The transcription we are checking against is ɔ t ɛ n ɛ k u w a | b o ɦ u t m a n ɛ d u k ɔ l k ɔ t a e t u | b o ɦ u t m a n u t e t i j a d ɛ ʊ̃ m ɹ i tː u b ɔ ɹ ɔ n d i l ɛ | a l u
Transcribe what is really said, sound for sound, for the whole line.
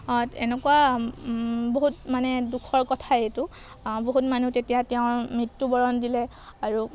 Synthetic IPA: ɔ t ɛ n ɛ k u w a | b o ɦ u t m a n ɛ d u kʰ ɔ ɹ k ɔ tʰ a e t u | b o ɦ u t m a n u t e t i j a t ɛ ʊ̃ m ɹ i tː u b ɔ ɹ ɔ n d i l ɛ | a ɹ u